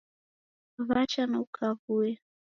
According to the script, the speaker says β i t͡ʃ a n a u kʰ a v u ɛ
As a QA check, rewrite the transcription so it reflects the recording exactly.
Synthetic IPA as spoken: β a t͡ʃ a n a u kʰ a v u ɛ